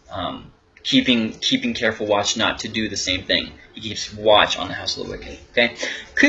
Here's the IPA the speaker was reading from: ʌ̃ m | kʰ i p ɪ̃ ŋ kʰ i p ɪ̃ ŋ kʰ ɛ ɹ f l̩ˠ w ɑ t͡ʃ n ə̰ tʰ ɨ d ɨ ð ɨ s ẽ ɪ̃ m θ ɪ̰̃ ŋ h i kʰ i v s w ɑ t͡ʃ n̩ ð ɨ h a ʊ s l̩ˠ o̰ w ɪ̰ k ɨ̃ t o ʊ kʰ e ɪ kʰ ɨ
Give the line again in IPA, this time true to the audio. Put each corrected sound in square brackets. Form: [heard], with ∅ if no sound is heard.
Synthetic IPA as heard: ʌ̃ m | kʰ i p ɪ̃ ŋ kʰ i p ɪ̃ ŋ kʰ ɛ ɹ f l̩ˠ w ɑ t͡ʃ n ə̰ tʰ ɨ d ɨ ð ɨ s ẽ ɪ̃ m θ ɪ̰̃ ŋ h i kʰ i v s w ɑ t͡ʃ n̩ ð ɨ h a ʊ s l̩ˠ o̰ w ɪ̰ k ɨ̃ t o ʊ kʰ e ɪ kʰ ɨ